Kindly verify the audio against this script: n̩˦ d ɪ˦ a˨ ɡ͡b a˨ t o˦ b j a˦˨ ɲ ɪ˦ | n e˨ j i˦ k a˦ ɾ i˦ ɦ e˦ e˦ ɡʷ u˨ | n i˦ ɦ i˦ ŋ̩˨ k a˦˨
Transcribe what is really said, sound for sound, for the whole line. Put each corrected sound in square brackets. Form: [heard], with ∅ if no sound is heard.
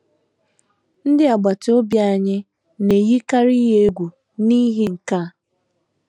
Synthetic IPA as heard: n̩˦ d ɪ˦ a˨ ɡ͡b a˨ t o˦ b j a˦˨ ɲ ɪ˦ | n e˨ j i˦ k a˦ ɾ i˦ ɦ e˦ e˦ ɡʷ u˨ | n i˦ ɦ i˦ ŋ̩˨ k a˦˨